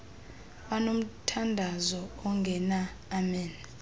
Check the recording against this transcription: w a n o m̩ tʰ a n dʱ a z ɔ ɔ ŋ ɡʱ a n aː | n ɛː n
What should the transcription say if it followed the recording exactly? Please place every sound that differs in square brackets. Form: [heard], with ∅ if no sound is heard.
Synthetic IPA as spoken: w a n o m̩ tʰ a n dʱ a z ɔ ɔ ŋ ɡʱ [ɛ] n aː | [m] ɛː n